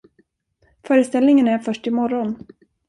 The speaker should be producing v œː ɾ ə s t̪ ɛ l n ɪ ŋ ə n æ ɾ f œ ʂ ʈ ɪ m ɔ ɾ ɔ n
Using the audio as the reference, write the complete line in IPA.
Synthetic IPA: f œː ɾ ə s t̪ ɛ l n ɪ ŋ ə n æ ɾ f œ ʂ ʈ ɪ m ɔ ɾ ɔ n

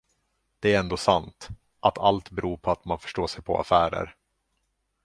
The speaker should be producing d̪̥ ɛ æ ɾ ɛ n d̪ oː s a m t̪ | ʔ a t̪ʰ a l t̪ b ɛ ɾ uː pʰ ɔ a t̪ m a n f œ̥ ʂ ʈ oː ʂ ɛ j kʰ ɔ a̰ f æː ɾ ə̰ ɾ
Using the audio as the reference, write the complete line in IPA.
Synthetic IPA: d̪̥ ɛ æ ɾ ɛ n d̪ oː s a n t̪ | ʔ a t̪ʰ a l t̪ b ɛ ɾ uː pʰ ɔ a t̪ m a n f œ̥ ʂ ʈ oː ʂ ɛ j pʰ ɔ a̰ f æː ɾ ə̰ ɾ

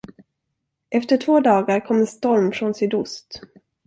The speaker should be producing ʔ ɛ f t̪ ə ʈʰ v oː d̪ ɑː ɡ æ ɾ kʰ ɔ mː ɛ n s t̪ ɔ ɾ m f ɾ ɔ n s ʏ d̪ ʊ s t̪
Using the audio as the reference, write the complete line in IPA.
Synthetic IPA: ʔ ɛ f t̪ ə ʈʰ v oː d̪ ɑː ɡ a ɾ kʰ ɔ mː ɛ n s t̪ ɔ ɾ m f ɾ ɔ n s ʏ d̪ ʊ s t̪

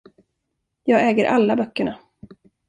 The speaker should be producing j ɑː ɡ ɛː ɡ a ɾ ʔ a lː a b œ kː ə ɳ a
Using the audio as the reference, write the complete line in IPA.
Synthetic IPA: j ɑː ɡ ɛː ɡ ə ɾ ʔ a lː a b œ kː ə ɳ a

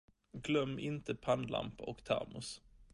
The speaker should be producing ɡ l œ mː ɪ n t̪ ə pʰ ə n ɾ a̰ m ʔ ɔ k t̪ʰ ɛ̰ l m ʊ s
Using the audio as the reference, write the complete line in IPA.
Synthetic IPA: ɡ l œ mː ɪ n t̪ ə pʰ a n l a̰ m p ɔ k t̪ʰ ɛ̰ ɾ m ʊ s

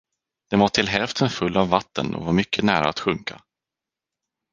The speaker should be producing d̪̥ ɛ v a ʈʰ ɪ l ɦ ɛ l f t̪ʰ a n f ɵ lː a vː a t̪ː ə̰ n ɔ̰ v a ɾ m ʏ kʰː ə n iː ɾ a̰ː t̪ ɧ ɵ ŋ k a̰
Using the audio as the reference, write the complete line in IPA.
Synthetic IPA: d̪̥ ɛ v a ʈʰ ɪ l ɦ ɛ l f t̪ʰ ə n f ɵ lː a vː a t̪ː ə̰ n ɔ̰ v a ɾ m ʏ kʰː ə n æː ɾ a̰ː t̪ ɧ ɵ ŋ k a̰

